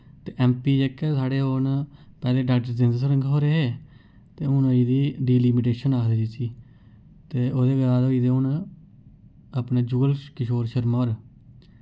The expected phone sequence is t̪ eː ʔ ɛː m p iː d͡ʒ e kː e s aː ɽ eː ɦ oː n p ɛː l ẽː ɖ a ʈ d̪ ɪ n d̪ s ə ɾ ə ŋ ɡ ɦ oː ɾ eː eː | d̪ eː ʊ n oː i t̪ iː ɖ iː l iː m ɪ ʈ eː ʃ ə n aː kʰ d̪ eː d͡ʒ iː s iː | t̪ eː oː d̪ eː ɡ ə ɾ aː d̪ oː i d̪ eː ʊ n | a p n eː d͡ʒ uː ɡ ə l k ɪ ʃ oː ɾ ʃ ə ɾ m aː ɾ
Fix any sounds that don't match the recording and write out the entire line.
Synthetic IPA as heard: t̪ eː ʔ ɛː m p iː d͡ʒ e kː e s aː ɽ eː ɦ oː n p ɛː l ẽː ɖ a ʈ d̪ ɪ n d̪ s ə ɾ ə ŋ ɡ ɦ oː ɾ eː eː | t̪ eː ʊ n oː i d̪ iː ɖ iː l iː m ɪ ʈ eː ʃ ə n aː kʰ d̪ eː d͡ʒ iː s iː | t̪ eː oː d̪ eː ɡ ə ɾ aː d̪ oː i d̪ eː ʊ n | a p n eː d͡ʒ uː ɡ ə l k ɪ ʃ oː ɾ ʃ ə ɾ m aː ɾ